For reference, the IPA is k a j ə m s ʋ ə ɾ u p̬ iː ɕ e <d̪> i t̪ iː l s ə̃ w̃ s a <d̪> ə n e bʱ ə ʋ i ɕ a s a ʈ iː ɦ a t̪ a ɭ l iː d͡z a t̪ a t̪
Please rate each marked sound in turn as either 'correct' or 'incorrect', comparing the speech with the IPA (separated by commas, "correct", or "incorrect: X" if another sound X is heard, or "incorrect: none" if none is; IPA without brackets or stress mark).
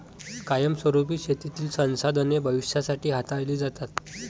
incorrect: t̪, correct